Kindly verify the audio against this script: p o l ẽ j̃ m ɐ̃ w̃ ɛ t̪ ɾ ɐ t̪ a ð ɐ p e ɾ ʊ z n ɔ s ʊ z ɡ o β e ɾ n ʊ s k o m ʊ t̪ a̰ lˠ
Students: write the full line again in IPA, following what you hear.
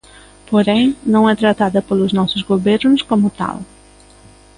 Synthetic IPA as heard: p o ɾ ẽ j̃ n ɐ̃ w̃ ɛ t̪ ɾ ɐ t̪ a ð ɐ p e l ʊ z n ɔ s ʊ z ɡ o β e ɾ n ʊ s k o m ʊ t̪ a̰ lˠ